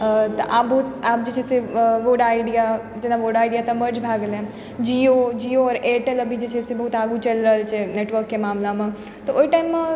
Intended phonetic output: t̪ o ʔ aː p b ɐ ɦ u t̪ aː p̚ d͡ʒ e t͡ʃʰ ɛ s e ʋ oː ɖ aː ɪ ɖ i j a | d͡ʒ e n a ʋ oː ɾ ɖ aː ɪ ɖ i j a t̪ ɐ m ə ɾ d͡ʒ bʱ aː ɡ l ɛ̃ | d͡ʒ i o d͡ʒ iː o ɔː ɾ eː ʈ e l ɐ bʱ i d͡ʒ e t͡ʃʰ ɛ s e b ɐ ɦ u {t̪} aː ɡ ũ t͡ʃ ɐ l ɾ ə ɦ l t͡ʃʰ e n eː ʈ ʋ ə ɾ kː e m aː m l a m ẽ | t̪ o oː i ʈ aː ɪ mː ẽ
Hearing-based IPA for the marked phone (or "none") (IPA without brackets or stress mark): t̪